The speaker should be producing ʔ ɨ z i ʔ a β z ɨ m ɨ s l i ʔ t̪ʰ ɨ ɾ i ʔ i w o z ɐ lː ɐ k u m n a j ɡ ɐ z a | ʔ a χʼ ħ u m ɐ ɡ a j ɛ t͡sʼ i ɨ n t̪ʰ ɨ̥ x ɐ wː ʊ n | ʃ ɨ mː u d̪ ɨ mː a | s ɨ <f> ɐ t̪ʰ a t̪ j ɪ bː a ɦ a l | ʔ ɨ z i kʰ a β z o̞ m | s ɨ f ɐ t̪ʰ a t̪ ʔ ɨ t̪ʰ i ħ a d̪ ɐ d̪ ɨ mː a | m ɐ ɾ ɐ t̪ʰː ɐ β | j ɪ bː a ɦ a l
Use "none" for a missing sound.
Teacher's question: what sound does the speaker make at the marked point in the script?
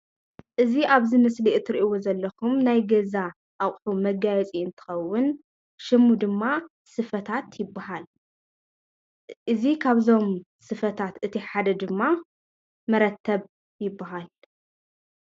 f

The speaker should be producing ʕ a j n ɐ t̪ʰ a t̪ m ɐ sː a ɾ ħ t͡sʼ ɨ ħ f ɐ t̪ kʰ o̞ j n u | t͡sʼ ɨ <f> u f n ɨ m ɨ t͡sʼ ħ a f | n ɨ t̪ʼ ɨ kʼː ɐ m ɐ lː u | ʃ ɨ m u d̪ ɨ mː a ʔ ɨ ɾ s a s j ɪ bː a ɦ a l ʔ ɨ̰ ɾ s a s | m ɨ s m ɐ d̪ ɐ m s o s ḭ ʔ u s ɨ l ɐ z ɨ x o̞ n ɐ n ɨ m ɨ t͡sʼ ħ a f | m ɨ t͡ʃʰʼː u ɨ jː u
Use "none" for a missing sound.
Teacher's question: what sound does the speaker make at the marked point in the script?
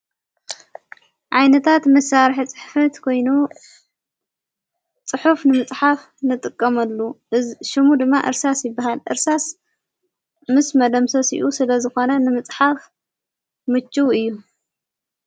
ħ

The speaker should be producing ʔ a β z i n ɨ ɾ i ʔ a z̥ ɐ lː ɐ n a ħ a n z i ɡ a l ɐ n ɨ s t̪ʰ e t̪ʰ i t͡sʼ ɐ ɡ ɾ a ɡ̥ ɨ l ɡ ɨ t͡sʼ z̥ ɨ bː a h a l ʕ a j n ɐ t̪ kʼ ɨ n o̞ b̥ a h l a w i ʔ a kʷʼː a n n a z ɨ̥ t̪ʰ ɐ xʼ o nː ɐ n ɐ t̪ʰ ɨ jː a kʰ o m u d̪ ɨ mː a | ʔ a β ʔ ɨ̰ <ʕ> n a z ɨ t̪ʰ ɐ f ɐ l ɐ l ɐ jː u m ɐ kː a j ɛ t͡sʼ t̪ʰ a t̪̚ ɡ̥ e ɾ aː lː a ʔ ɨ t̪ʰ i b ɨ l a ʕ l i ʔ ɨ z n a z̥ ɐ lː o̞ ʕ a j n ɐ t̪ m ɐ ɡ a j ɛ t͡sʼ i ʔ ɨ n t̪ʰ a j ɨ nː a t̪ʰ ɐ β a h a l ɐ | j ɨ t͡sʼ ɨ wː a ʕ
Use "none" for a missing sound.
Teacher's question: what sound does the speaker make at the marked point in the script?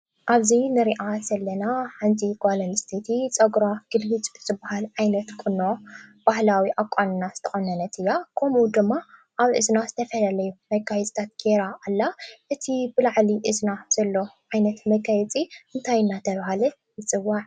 z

